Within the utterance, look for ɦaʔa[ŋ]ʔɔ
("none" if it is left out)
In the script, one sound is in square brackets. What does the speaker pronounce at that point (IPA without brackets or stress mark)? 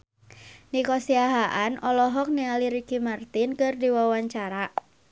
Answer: n